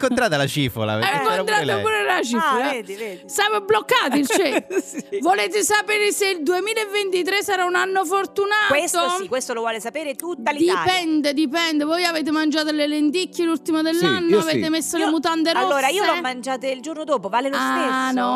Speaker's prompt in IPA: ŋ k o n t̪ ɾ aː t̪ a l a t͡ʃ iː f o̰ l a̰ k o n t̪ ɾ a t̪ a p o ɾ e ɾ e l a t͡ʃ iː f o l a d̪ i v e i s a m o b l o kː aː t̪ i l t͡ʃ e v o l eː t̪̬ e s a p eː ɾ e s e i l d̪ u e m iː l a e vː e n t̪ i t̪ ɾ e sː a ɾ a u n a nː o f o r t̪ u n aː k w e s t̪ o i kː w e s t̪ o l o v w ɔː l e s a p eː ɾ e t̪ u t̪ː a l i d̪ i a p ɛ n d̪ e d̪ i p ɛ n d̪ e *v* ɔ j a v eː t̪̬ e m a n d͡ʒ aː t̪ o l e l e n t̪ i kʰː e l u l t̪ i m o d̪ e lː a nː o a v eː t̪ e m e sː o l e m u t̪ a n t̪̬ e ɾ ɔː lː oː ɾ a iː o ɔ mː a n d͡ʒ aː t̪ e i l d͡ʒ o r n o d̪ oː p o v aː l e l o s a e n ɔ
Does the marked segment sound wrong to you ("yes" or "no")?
no